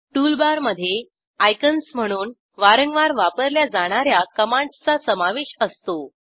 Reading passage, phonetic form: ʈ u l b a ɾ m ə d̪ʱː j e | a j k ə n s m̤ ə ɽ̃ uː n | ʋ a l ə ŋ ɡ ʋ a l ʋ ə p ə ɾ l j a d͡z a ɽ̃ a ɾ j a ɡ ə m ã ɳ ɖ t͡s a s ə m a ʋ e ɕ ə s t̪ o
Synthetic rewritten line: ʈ u l b a ɾ m ə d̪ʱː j e | a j k ə n s m̤ ə ɽ̃ uː n | ʋ a ɾ ə ŋ ɡ ʋ a ɾ ʋ a p ə ɾ l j a d͡z a ɽ̃ a ɾ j a k ə m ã ɳ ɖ t͡s a s ə m a ʋ e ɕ ə s t̪ o

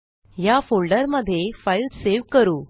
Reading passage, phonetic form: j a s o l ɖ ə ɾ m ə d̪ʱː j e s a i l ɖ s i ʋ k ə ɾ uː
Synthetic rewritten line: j a f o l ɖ ə ɾ m ə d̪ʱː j e f a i l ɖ s e ʋ k ə ɾ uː

